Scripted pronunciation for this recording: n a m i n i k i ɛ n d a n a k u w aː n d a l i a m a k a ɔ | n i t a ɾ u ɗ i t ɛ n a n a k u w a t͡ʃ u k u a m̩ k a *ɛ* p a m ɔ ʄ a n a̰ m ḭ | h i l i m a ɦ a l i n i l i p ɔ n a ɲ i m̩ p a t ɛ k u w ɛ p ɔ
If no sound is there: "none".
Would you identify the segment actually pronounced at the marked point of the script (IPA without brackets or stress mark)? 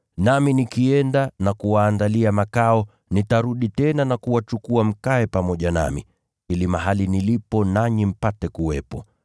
ɛ